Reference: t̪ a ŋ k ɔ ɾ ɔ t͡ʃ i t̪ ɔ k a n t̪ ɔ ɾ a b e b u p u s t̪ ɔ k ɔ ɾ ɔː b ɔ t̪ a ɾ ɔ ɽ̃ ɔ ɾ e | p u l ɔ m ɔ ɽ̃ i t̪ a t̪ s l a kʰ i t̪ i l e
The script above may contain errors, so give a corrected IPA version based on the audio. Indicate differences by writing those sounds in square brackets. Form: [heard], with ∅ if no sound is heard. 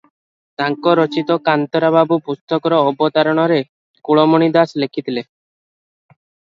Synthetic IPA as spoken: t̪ a ŋ k ɔ ɾ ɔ t͡ʃ i t̪ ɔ k a n t̪ ɔ ɾ a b [a] b u p u s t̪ ɔ k ɔ ɾ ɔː b ɔ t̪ a ɾ ɔ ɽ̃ ɔ ɾ e | [k] u [ɭ] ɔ m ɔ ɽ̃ i [d̪] a [∅] s l [e] kʰ i t̪ i l e